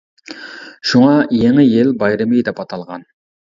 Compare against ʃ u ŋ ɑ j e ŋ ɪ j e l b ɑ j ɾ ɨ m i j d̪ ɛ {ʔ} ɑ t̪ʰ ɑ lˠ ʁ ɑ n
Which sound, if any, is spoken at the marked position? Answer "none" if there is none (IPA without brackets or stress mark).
p